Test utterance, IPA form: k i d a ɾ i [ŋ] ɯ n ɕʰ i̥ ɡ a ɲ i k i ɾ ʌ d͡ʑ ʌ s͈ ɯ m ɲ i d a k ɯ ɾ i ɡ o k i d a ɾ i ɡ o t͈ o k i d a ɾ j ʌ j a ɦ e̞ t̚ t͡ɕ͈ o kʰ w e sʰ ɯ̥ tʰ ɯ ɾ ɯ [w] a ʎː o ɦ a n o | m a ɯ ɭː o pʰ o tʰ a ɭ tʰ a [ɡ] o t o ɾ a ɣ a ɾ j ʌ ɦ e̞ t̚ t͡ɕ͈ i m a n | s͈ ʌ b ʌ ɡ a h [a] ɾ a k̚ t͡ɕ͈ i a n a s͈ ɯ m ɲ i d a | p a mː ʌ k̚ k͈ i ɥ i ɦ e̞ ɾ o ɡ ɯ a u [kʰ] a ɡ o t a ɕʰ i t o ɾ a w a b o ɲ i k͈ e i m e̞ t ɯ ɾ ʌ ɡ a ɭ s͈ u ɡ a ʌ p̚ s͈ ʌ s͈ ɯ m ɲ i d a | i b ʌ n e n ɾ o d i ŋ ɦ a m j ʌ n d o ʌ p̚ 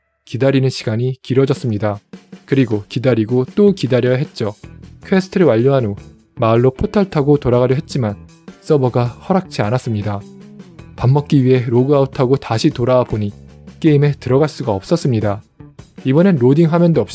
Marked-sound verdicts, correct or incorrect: incorrect: n, correct, correct, incorrect: ʌ, incorrect: tʰ

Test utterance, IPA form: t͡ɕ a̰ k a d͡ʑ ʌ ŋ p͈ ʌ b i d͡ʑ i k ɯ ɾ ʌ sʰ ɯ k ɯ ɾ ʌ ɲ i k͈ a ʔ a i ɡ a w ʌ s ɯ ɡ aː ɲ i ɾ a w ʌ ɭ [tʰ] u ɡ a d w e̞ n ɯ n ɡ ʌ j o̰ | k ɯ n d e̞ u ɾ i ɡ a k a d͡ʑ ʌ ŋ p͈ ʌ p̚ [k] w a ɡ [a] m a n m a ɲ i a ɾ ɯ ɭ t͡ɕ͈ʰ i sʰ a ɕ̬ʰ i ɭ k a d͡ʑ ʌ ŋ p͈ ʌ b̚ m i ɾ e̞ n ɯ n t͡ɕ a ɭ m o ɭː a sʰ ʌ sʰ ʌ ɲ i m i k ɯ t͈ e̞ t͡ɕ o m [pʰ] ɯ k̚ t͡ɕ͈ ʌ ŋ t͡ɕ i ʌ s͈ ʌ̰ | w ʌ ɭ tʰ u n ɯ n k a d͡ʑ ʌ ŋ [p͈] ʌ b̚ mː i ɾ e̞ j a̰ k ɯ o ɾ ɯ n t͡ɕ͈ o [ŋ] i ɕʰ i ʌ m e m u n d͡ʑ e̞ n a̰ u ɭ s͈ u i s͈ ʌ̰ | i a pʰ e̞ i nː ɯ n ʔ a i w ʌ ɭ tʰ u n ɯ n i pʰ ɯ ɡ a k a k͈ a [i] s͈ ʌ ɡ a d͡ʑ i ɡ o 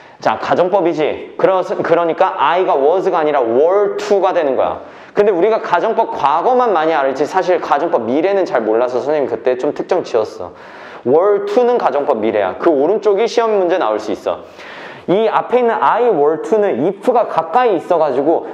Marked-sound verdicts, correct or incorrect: correct, correct, incorrect: ʌ, incorrect: tʰ, correct, incorrect: ɡ, incorrect: iː

